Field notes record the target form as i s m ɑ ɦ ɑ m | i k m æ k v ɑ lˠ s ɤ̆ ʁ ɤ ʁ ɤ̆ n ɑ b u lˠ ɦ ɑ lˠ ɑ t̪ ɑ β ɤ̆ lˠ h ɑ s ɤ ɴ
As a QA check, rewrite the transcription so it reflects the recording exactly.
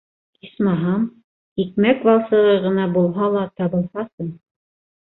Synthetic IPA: i s m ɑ ɦ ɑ m | i k m æ k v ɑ lˠ s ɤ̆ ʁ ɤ ʁ ɤ̆ n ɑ b u lˠ ɦ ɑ lˠ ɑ t̪ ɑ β ɤ̆ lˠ h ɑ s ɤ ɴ